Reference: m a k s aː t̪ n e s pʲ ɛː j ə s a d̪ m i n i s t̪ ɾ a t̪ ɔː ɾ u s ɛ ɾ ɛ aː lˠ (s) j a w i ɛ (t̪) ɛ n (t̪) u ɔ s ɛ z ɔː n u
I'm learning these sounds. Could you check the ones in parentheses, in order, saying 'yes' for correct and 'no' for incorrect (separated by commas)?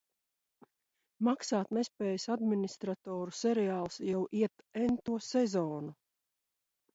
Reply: yes, yes, yes